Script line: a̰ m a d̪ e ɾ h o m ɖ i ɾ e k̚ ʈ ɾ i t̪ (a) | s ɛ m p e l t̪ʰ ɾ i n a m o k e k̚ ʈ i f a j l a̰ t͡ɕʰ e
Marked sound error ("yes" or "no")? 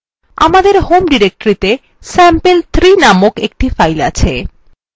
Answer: yes